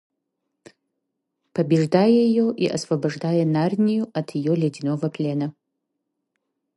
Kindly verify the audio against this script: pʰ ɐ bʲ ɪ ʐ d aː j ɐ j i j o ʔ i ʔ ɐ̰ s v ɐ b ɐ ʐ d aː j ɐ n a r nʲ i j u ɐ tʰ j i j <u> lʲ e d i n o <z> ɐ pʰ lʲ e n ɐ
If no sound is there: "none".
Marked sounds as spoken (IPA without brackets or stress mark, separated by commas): o, v